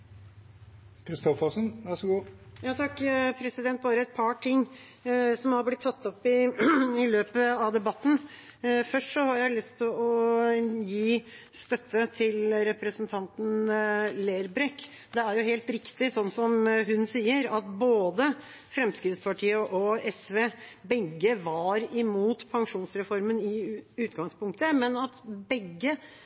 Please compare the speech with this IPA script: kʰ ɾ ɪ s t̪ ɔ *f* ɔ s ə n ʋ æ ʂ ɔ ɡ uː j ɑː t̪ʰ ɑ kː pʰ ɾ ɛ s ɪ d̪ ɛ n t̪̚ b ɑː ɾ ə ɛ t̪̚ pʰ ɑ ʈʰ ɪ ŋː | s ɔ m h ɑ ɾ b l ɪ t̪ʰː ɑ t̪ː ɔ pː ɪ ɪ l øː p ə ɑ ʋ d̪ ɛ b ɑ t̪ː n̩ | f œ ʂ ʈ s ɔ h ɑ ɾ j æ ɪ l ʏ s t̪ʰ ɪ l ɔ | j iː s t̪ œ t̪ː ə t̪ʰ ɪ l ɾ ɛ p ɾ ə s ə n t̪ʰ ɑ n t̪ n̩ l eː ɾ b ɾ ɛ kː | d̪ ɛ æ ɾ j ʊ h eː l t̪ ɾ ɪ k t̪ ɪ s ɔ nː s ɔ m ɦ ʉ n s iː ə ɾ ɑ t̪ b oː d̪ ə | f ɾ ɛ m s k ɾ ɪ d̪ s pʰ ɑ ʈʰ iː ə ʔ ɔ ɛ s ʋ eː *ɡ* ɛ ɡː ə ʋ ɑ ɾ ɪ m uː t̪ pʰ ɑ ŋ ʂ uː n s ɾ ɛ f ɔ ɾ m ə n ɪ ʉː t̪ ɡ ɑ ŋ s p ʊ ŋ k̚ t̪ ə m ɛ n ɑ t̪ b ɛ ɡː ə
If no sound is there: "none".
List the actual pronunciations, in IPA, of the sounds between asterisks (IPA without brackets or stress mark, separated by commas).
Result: f, b